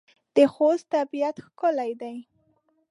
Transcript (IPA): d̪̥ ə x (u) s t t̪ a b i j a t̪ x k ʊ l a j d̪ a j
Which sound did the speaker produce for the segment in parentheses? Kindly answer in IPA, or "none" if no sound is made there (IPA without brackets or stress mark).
o